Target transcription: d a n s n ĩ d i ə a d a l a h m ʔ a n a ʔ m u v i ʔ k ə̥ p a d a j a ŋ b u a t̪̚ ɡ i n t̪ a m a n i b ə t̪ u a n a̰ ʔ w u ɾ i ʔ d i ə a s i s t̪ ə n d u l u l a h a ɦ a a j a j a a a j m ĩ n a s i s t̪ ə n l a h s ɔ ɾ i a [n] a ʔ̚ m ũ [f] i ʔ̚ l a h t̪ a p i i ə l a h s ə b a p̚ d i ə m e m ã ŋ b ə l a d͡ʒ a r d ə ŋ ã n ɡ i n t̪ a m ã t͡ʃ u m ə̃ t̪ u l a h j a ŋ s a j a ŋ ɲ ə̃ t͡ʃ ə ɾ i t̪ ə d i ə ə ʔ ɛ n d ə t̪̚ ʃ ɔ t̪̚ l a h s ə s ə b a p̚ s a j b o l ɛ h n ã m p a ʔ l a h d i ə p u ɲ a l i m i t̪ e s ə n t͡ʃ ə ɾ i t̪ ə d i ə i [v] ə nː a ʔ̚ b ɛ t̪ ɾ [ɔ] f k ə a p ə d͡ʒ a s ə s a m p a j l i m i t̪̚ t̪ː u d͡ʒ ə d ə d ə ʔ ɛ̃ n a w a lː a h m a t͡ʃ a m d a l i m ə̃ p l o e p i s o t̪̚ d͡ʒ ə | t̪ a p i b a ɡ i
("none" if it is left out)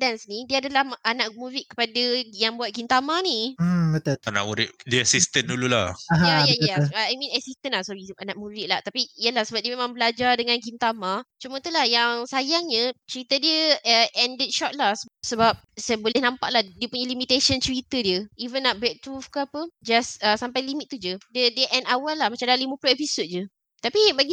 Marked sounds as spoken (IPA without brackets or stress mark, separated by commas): n, v, v, u